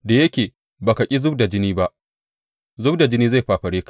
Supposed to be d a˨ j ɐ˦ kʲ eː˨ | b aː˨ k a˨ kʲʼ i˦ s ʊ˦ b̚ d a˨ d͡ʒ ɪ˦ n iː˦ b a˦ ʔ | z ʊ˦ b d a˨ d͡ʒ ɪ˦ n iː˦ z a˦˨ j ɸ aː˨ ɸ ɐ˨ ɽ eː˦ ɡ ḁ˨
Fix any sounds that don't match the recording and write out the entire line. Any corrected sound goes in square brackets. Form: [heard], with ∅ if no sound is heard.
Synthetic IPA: d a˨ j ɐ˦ kʲ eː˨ | b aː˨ k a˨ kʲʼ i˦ [z] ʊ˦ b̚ d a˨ d͡ʒ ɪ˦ n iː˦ b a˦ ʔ | z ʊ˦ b d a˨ d͡ʒ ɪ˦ n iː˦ z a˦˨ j ɸ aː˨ ɸ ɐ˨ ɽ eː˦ [k] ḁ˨